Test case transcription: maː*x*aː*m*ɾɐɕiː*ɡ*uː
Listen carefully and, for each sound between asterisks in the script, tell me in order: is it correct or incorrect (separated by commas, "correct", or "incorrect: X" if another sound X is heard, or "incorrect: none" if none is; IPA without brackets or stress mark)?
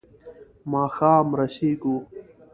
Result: correct, correct, correct